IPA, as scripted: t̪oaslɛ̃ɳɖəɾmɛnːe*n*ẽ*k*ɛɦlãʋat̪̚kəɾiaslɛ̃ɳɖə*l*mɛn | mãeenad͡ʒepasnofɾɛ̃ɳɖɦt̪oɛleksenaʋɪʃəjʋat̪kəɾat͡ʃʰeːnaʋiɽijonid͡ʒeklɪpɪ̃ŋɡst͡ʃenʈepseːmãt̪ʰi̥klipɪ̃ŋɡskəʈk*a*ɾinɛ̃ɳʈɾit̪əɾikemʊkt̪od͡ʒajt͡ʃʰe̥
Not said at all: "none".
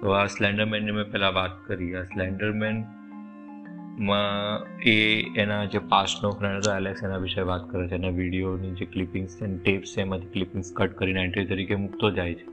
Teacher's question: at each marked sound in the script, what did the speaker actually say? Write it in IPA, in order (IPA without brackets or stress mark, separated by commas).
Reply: m, p, ɾ, ə